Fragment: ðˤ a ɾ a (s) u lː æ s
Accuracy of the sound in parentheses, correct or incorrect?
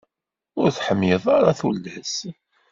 incorrect